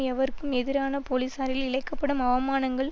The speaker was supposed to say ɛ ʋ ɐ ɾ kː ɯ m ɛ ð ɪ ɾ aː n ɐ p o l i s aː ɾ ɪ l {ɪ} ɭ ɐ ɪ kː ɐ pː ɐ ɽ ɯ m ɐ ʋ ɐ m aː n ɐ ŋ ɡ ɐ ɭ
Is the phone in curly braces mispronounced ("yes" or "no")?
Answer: no